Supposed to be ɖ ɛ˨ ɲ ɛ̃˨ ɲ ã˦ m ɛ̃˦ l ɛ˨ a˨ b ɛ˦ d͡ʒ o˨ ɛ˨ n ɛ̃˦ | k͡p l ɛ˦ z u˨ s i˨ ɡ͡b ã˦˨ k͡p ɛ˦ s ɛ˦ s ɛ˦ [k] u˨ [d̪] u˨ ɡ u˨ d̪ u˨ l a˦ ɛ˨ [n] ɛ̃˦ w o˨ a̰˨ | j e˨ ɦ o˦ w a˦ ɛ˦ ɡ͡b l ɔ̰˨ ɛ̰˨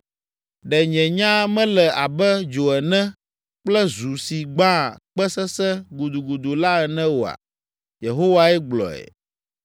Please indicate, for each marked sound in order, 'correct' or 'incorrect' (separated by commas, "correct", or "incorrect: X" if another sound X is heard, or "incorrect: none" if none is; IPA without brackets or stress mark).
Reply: incorrect: ɡ, correct, correct